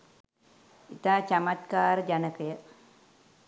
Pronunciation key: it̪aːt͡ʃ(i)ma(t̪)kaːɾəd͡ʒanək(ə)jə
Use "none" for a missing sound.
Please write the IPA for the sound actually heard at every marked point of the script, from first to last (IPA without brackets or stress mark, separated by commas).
a, t̪, ə